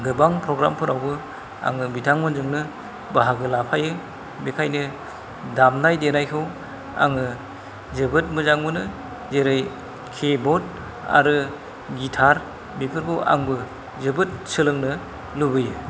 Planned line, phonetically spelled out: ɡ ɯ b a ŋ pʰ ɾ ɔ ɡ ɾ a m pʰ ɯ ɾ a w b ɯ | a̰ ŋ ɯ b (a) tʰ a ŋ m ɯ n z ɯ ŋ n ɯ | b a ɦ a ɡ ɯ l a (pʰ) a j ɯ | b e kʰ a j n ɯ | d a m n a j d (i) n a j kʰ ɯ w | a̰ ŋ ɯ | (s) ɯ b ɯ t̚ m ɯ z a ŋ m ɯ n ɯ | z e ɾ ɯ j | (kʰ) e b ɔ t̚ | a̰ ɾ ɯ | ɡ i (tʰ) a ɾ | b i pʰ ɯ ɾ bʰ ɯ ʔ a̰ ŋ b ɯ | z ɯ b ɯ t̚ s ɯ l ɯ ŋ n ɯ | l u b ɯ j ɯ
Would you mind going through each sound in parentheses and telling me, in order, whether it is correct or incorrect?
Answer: incorrect: i, correct, incorrect: e, incorrect: z, correct, correct

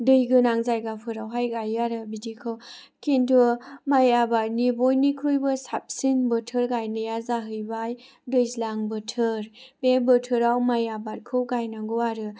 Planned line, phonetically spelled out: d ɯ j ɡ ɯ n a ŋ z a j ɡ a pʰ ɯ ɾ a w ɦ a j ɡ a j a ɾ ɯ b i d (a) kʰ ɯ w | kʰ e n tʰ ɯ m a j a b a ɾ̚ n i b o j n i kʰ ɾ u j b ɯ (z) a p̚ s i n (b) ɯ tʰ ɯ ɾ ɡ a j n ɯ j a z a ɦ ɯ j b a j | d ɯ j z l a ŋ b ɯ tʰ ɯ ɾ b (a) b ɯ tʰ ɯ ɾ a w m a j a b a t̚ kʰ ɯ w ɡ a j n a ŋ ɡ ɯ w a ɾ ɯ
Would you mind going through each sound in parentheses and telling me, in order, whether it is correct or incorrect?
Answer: incorrect: i, incorrect: s, correct, incorrect: e

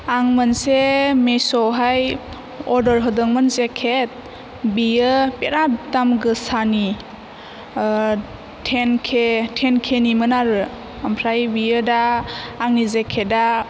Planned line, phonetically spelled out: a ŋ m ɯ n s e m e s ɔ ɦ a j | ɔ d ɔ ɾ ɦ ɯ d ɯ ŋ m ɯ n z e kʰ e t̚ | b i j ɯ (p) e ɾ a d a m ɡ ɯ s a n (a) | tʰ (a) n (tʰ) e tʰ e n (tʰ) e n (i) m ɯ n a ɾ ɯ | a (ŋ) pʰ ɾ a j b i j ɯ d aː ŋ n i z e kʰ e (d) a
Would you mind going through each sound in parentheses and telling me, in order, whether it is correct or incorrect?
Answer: correct, incorrect: i, incorrect: e, incorrect: kʰ, incorrect: kʰ, correct, incorrect: m, correct

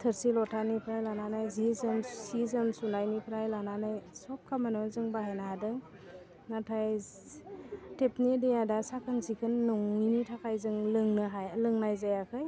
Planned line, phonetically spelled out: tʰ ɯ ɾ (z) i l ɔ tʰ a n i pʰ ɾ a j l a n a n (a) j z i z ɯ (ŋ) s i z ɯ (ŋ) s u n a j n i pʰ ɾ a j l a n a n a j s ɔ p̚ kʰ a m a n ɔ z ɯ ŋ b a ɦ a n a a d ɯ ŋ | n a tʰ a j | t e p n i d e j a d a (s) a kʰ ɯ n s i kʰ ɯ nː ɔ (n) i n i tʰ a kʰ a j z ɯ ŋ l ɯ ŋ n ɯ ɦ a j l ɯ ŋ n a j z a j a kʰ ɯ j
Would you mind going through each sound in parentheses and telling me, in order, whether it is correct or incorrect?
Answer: incorrect: s, correct, incorrect: m, incorrect: m, correct, incorrect: ŋ

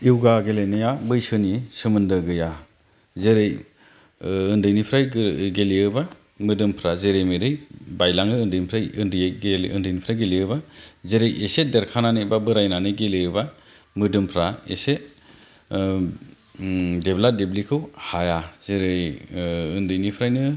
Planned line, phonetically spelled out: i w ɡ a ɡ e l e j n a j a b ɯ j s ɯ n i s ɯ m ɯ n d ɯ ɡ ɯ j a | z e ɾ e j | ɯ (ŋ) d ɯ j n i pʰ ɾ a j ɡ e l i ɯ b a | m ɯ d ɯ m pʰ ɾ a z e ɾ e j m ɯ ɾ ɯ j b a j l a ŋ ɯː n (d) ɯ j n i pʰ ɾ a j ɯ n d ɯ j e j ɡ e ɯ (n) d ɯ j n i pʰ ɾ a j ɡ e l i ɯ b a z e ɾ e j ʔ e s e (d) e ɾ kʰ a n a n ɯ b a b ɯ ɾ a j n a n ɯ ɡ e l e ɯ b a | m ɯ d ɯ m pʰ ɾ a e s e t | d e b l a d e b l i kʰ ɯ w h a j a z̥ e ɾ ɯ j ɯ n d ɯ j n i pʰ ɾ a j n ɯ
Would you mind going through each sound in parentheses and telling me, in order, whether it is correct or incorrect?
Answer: incorrect: n, correct, correct, correct

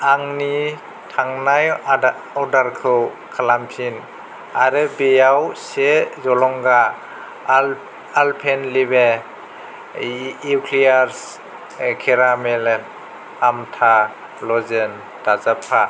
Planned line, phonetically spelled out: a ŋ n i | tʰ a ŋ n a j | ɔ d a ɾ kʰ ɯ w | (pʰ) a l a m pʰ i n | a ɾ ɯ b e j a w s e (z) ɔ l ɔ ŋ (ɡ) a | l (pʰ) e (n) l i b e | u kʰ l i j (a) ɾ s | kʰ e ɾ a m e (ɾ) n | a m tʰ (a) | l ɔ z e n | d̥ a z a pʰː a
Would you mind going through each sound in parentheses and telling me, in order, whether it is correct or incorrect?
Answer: incorrect: kʰ, correct, correct, correct, correct, correct, incorrect: l, correct

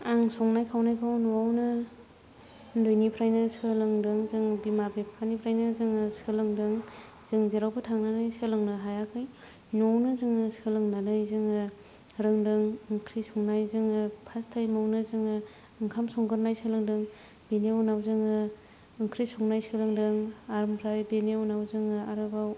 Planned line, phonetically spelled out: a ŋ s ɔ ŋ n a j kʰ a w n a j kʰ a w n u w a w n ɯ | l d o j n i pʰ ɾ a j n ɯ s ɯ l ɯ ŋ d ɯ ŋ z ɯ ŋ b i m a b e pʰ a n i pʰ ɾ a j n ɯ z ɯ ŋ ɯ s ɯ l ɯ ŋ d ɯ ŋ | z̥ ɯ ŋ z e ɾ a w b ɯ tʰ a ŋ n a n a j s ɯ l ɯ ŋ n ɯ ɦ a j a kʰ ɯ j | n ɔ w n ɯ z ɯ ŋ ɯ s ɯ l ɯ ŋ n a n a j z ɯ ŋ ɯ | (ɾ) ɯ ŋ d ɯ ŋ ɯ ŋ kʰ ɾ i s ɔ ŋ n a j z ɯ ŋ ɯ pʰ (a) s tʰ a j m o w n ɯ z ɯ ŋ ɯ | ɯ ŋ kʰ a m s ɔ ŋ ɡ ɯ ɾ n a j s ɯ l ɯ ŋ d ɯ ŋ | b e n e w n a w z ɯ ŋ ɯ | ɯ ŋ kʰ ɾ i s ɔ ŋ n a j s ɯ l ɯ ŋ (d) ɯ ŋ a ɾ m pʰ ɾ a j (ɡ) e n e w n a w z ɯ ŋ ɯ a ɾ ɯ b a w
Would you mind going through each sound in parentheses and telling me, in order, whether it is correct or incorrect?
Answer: correct, correct, correct, incorrect: b

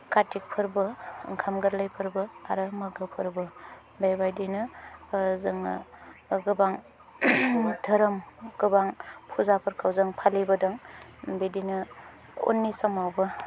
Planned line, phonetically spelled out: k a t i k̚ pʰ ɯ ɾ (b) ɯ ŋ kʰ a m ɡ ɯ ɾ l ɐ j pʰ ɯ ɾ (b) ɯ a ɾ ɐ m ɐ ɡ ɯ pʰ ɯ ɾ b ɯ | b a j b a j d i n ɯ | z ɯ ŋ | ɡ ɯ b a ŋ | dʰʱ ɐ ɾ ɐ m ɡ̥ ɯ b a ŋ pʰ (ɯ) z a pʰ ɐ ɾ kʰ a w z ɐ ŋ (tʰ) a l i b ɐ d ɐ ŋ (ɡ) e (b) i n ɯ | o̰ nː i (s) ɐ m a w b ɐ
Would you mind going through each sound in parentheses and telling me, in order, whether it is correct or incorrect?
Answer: correct, correct, incorrect: u, incorrect: pʰ, incorrect: b, incorrect: d, correct

